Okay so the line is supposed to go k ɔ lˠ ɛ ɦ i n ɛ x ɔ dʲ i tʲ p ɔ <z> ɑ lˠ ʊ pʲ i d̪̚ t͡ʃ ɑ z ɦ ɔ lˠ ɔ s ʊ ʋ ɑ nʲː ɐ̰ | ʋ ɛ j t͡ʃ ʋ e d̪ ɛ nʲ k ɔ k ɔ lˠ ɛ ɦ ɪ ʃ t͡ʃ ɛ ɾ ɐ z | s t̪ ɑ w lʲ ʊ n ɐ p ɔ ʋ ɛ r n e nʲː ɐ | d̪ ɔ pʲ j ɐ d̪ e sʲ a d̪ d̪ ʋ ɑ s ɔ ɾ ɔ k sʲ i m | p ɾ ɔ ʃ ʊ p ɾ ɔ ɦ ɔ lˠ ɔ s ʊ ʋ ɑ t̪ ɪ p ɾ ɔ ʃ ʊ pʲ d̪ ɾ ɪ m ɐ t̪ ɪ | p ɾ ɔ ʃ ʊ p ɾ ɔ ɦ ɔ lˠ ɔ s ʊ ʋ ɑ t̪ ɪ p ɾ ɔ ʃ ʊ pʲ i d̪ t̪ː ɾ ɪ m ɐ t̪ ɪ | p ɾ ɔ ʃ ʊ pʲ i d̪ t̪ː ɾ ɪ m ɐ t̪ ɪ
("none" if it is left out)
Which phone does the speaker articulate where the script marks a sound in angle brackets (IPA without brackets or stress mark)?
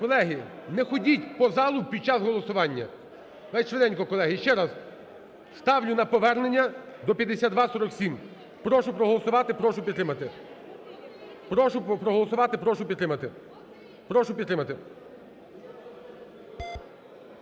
z